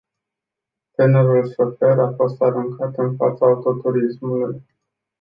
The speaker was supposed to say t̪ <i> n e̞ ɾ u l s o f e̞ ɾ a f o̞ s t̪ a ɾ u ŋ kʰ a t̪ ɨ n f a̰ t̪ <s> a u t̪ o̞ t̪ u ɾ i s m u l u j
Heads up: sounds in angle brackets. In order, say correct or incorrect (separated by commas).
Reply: incorrect, correct